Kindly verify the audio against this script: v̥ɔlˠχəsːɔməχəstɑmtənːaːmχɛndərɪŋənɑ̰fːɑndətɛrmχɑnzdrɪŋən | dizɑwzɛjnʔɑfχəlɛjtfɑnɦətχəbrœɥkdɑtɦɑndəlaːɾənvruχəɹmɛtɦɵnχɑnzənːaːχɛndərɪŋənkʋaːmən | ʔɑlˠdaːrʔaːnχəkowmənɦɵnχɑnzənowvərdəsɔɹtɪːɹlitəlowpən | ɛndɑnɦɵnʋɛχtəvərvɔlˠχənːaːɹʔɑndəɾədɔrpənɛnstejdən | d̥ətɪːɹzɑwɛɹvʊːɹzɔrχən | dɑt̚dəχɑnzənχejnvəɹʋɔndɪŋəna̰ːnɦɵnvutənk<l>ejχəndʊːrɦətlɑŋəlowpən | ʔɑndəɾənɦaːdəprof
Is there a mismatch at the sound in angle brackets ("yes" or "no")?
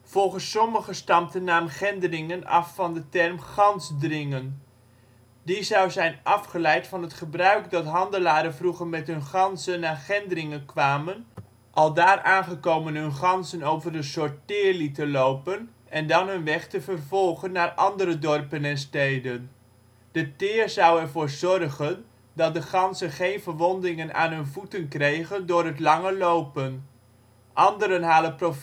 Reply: yes